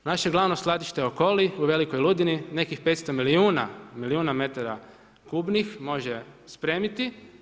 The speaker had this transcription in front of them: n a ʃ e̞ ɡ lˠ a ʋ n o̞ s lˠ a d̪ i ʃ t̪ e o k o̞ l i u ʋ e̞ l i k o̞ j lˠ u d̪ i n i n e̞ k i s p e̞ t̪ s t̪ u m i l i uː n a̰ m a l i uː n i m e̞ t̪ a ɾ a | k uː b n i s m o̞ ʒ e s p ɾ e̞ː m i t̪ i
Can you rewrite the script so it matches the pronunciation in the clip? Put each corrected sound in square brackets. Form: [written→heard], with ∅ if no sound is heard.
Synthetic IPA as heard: n a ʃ e̞ ɡ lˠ a ʋ n o̞ s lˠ a d̪ i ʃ t̪ e o k o̞ l i u ʋ e̞ l i k o̞ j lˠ u d̪ i n i n e̞ k i [s→x] p e̞ t̪ s t̪ [u→o] m i l i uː n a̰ m [a→i] l i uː n [i→a] m e̞ t̪ a ɾ a | k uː b n i [s→x] m o̞ ʒ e s p ɾ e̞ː m i t̪ i